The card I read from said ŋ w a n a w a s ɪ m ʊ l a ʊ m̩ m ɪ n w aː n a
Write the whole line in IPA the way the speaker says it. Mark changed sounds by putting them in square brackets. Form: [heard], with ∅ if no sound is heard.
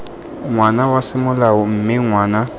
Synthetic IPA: ŋ w a n a w a s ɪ m ʊ l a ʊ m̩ m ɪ [ŋ] w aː n a